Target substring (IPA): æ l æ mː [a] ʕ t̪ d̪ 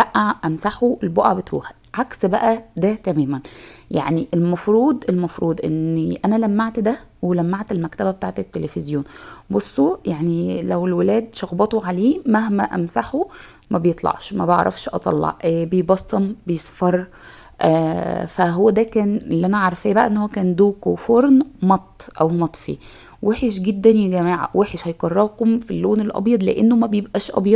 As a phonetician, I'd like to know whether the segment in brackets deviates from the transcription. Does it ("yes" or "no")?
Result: no